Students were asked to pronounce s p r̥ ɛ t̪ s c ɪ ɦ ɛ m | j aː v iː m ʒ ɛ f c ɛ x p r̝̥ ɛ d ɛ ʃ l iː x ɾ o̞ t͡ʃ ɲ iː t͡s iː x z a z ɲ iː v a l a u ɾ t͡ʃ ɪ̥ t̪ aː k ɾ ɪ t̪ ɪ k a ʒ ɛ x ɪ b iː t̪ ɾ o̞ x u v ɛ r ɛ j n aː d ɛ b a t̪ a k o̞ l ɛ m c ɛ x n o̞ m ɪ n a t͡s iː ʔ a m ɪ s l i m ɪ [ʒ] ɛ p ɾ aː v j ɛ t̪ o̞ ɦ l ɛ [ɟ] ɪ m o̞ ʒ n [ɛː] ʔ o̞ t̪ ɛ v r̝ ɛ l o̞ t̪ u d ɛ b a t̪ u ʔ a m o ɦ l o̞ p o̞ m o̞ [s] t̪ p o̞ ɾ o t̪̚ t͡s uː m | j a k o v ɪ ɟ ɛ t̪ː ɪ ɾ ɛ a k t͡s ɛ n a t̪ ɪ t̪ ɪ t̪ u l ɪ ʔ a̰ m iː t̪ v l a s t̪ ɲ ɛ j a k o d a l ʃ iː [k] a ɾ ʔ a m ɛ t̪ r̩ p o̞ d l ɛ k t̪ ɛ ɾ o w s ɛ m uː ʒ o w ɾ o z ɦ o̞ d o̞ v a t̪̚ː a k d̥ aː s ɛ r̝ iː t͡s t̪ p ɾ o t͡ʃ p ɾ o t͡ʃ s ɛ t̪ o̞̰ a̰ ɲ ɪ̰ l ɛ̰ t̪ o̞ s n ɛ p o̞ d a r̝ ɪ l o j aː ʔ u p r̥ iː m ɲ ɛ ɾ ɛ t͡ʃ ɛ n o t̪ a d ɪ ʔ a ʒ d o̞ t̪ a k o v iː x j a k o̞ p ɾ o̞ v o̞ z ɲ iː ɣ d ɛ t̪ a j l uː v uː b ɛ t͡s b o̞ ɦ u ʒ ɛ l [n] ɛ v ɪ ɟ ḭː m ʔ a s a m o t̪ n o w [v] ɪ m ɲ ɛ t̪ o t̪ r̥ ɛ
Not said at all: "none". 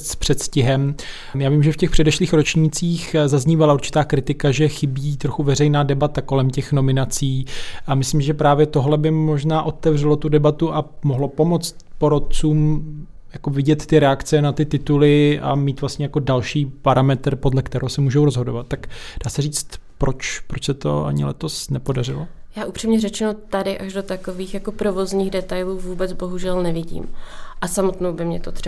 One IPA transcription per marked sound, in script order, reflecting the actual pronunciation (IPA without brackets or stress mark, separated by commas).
ʒ, b, aː, t͡s, p, n, b